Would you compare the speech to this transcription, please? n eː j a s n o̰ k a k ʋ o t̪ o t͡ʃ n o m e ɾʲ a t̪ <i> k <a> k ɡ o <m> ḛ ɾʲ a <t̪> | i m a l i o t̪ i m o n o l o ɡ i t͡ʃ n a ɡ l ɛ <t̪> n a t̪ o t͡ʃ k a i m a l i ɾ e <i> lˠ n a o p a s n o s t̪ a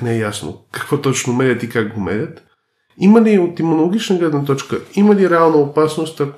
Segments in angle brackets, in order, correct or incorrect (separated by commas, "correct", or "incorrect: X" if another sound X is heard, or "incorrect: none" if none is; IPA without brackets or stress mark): correct, correct, correct, correct, incorrect: d̪, incorrect: a